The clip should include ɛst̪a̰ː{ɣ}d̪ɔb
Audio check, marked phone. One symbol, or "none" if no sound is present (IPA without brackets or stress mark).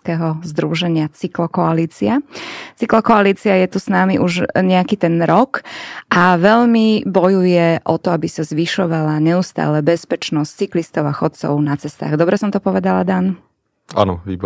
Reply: ɣ